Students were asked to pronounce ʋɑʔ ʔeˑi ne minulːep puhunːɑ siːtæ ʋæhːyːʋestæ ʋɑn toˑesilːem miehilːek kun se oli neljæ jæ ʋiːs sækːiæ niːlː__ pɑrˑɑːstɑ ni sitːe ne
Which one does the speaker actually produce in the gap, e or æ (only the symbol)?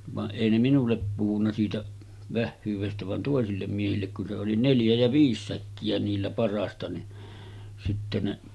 æ